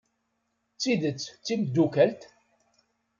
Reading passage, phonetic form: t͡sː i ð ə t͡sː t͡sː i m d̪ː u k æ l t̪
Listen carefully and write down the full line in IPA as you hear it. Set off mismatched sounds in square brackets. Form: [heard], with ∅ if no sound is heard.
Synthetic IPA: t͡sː i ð ə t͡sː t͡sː i m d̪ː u k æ l t̪